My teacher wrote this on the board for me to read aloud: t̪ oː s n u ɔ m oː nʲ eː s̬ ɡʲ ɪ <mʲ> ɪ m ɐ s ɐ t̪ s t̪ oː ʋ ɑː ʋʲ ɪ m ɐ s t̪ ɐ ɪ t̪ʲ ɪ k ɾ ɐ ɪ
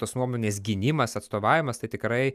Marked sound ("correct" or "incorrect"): incorrect